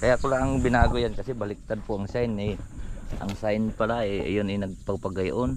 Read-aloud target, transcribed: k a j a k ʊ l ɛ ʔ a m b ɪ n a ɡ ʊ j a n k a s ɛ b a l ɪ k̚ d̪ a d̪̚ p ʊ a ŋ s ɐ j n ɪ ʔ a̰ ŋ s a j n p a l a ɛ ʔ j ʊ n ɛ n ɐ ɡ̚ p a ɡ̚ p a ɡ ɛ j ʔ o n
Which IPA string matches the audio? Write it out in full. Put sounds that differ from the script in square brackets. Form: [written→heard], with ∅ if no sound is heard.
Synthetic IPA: k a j a k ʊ l [ɛ→a] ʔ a [m→ŋ] b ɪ n a ɡ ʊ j a n k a s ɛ b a l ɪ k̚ [d̪→t̪] a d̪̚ p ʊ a ŋ s [ɐ→a] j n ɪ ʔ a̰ ŋ s a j n p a l a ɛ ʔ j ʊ n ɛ n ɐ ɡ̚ p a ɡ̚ p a ɡ [ɛ→a] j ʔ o n